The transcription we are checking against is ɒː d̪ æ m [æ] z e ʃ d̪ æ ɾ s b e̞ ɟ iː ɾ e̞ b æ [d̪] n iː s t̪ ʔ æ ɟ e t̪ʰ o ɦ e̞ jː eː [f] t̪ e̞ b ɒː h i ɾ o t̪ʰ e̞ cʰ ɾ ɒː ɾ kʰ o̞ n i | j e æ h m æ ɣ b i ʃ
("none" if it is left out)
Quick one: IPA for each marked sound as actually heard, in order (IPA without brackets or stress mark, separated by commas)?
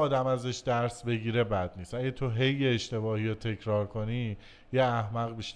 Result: æ, d̪, ʃ